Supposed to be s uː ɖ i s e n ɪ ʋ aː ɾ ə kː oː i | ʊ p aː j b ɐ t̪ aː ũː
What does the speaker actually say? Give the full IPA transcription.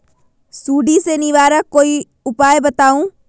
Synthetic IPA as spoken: s uː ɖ i s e n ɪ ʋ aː ɾ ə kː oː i | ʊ p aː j b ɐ t̪ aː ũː